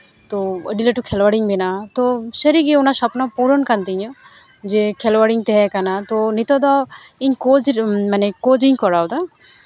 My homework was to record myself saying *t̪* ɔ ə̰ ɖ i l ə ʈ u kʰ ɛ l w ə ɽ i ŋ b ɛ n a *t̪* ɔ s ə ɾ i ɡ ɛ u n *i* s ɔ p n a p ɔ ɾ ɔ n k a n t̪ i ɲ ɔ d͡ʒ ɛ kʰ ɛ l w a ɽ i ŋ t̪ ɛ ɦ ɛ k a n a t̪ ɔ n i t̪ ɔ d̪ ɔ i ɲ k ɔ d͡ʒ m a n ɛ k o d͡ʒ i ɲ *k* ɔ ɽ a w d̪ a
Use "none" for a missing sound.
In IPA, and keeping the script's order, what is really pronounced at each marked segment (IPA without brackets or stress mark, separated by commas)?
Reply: t̪, t̪, a, k